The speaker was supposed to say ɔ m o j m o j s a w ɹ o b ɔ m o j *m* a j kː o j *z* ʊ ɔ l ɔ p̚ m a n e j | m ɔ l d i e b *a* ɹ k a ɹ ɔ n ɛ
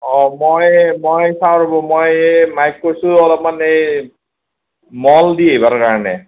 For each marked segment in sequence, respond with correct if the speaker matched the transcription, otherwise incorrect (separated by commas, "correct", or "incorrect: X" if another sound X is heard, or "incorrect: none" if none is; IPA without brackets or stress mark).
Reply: correct, incorrect: s, correct